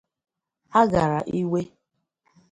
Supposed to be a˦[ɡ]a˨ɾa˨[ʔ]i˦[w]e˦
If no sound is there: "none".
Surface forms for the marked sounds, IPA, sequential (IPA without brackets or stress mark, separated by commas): ɡ, ʔ, w